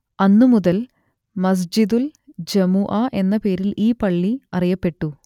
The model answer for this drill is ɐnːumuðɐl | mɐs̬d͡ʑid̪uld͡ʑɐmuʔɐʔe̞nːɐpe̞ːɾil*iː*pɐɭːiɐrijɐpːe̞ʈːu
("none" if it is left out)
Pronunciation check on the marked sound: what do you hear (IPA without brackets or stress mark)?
iː